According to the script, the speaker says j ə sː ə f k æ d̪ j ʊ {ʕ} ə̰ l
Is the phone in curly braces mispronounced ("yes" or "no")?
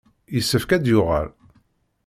yes